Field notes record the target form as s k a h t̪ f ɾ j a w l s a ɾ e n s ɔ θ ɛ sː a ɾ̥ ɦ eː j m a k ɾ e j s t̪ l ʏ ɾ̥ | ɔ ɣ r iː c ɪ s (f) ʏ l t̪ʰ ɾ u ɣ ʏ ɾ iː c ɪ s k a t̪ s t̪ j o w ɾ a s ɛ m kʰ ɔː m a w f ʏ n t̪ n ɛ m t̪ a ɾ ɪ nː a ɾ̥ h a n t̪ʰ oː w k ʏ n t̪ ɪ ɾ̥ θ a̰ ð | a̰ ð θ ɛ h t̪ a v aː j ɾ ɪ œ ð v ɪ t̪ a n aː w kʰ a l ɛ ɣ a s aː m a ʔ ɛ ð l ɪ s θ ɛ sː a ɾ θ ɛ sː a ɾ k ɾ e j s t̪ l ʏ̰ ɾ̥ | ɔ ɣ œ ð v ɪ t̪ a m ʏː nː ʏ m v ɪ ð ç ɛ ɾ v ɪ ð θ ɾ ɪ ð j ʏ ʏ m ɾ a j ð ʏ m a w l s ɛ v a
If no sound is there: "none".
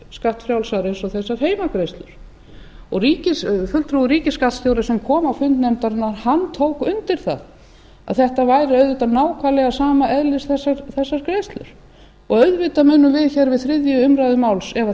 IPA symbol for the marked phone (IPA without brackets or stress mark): f